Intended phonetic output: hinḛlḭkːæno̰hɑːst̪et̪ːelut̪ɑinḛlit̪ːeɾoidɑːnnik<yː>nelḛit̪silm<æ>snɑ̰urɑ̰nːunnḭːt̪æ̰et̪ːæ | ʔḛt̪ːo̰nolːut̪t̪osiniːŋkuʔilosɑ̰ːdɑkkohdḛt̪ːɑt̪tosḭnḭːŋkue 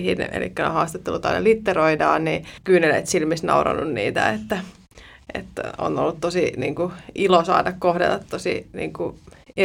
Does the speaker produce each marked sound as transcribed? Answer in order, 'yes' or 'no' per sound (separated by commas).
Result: yes, no